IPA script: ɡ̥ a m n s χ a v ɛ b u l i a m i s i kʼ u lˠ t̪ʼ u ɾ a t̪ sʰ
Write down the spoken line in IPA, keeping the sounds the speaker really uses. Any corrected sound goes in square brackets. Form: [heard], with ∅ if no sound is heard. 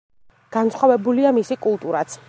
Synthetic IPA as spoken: ɡ̥ a [∅] n s χ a v ɛ b u l i a m i s i kʼ u lˠ t̪ʼ u ɾ a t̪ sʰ